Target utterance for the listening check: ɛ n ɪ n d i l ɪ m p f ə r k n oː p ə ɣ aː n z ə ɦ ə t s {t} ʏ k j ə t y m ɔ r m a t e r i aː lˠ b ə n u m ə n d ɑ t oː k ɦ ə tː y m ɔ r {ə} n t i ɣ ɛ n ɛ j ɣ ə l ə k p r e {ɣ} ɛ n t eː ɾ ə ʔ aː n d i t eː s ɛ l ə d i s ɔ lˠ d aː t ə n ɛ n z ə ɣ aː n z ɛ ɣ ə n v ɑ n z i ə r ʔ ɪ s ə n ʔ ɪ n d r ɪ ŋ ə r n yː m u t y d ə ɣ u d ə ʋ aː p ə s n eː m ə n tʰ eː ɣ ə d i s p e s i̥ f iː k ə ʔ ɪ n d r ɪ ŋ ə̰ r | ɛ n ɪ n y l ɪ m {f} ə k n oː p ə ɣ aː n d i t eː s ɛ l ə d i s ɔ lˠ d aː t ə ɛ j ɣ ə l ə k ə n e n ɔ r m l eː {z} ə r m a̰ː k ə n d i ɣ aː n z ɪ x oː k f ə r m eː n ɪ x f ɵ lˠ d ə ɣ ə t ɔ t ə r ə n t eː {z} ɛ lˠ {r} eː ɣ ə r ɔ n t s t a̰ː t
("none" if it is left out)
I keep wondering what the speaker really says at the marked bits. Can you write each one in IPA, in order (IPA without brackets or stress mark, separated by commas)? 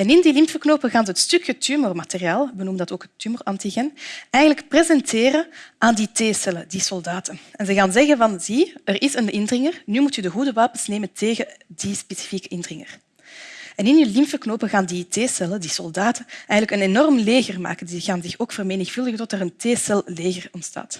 t, ɑ, z, f, ɣ, s, l